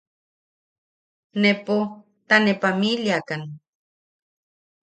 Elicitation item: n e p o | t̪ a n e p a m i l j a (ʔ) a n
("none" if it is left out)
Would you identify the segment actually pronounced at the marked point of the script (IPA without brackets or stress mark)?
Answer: k